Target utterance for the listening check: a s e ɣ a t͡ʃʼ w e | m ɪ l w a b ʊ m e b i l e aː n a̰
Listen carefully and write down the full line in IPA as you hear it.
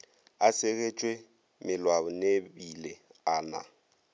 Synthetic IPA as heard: a s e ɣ e t͡ʃʼ w e | m ɪ l w a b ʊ n e b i l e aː n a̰